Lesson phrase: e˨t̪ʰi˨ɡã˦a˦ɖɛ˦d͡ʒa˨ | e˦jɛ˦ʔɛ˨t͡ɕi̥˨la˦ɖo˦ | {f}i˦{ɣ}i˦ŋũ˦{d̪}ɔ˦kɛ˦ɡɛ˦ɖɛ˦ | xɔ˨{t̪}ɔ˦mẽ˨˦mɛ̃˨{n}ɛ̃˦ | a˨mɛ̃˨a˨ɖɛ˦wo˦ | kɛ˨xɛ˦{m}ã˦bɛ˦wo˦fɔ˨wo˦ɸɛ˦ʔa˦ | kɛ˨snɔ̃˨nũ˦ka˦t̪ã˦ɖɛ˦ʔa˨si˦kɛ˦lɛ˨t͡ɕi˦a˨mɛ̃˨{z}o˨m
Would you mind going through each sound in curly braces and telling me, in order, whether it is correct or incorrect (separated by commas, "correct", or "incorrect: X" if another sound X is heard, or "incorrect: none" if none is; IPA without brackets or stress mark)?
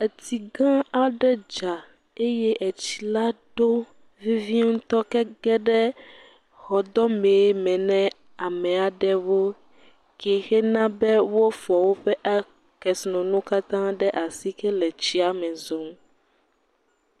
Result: incorrect: v, incorrect: v, incorrect: t̪, incorrect: d̪, correct, incorrect: n, correct